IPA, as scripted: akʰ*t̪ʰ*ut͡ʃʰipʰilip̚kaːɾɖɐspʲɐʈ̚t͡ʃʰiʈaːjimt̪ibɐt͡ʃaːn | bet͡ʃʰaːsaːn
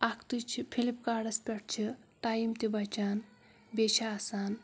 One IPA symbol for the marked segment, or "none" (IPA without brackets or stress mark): t̪